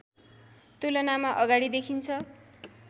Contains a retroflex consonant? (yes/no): yes